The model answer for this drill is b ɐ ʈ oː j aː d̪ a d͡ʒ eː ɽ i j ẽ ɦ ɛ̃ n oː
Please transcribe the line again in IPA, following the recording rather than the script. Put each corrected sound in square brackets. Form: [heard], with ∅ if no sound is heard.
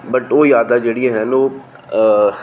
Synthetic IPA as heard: b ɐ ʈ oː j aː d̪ a d͡ʒ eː ɽ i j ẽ ɦ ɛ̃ n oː